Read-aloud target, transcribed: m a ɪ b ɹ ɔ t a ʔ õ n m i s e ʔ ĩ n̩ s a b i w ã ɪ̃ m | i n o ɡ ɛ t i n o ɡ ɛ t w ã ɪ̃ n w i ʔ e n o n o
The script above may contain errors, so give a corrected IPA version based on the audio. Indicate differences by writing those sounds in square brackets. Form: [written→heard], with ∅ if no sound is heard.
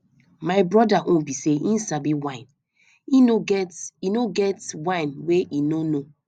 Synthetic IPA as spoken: m a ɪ b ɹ ɔ [t→d] a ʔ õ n [m→b] i s e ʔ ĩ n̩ s a b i w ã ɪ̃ [m→n] | i n o ɡ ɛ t i n o ɡ ɛ t w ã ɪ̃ n w [i→e] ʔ [e→i] n o n o